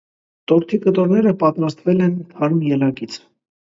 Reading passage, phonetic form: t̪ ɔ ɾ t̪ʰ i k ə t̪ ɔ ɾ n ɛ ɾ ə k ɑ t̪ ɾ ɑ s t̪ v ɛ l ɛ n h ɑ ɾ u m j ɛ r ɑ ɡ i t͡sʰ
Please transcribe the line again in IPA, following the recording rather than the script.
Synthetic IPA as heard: t̪ ɔ ɾ t̪ʰ i k ə t̪ ɔ ɾ n ɛ ɾ ə p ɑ t̪ ɾ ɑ s t̪ v ɛ l ɛ n h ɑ ɾ u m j ɛ l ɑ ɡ i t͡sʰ